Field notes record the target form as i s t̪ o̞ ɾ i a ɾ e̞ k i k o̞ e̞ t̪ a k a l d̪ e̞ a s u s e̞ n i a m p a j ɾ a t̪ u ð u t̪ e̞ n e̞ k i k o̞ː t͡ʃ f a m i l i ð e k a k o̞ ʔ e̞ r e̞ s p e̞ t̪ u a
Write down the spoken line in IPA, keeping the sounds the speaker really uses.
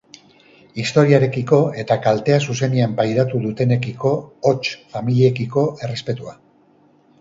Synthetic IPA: i s t̪ o̞ ɾ i a ɾ e̞ k i k o̞ e̞ t̪ a k a l t̪ e̞ a s u s e̞ n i a m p a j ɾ a t̪ u ð u t̪ e̞ n e̞ k i k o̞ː t͡ʃ f a m i l i e k i k o̞ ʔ e̞ r e̞ s p e̞ t̪ u a